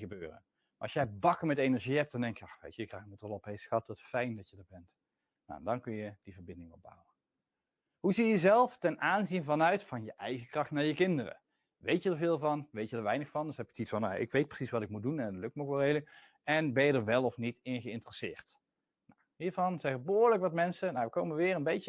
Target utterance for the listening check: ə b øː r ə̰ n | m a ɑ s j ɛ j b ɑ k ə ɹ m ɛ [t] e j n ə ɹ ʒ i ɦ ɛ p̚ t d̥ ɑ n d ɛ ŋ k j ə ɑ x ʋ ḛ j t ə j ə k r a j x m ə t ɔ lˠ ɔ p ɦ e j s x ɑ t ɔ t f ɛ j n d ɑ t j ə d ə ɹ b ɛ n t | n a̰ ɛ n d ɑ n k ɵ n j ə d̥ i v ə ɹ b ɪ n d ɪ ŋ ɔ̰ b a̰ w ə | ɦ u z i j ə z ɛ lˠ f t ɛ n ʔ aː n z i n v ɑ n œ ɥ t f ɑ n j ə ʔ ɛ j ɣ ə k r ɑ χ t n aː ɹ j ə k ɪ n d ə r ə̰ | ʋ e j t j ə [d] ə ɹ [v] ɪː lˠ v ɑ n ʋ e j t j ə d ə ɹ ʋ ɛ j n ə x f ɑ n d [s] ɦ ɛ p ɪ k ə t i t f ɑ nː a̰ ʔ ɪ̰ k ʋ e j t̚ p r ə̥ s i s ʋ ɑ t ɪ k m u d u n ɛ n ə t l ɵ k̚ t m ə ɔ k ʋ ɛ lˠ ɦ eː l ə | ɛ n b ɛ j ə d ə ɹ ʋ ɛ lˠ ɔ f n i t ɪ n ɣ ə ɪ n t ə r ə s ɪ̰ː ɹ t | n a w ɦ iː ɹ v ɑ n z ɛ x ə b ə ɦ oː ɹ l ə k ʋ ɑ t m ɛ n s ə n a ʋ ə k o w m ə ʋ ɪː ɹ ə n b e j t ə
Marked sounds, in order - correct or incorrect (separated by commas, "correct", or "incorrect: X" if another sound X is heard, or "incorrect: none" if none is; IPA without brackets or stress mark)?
correct, correct, correct, correct